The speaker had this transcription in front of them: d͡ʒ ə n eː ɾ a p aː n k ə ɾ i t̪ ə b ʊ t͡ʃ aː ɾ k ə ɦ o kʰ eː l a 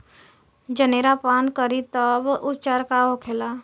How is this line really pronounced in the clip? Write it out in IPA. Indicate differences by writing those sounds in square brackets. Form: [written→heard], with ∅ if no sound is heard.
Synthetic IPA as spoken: d͡ʒ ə n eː ɾ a p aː n k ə ɾ i t̪ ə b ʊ t͡ʃ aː ɾ k [ə→a] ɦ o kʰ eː l a